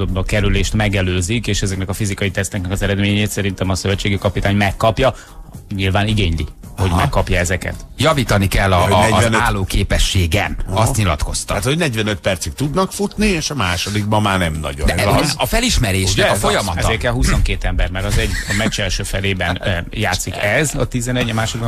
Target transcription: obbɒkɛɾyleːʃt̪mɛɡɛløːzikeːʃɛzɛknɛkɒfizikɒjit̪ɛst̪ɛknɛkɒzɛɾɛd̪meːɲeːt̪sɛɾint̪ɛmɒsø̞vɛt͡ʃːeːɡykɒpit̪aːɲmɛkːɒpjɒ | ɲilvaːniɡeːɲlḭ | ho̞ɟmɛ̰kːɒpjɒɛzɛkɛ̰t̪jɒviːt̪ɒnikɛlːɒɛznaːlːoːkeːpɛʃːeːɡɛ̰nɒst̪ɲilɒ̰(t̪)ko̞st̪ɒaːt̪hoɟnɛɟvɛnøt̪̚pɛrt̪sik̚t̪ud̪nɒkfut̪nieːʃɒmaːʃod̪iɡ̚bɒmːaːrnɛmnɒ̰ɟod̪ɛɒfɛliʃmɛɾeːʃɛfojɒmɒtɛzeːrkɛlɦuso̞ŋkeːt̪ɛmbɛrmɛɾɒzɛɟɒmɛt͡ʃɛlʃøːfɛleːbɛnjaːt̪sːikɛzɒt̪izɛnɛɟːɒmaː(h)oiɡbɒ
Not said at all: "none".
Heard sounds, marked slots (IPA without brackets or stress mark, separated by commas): t̪, ʃ